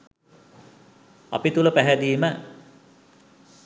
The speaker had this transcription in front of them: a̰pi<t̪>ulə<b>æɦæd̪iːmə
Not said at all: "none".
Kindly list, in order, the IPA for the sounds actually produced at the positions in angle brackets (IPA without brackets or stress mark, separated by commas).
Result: t̪, p